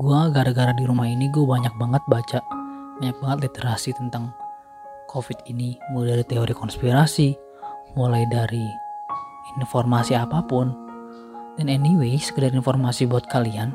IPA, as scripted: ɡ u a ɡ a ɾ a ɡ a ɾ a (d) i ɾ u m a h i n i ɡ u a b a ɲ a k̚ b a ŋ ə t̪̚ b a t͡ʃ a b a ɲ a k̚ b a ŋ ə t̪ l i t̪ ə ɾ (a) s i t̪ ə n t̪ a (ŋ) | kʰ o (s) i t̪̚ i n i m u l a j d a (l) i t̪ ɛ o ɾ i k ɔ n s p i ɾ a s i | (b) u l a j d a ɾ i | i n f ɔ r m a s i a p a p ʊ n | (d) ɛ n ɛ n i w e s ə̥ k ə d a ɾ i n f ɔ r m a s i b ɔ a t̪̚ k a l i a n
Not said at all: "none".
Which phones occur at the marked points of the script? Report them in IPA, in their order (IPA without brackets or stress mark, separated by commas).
d, a, ŋ, f, ɾ, m, d